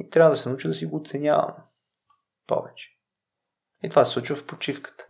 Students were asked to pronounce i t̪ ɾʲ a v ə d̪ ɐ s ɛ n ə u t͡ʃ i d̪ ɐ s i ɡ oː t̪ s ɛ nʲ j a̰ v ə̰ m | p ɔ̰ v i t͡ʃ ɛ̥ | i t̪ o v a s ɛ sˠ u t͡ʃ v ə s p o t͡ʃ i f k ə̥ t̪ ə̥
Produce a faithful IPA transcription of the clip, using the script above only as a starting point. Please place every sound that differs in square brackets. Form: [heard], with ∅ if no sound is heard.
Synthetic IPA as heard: i t̪ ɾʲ a v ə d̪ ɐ s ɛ n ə u t͡ʃ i d̪ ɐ s i ɡ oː t̪ s ɛ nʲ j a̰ v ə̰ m | p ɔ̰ v [ɛ] t͡ʃ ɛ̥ | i t̪ o v a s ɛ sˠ u t͡ʃ v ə [f] p o t͡ʃ i f k ə̥ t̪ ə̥